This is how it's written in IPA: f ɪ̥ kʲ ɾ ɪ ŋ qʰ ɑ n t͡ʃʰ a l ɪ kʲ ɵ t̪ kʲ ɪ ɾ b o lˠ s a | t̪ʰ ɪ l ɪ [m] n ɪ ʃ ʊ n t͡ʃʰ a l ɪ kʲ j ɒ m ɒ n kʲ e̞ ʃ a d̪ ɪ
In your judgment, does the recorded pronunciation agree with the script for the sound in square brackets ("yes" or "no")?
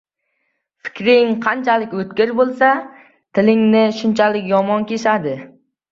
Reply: no